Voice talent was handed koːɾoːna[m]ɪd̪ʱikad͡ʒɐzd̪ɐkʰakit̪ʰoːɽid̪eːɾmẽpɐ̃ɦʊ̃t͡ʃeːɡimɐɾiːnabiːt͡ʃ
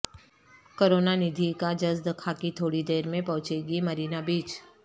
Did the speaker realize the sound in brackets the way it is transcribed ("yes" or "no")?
no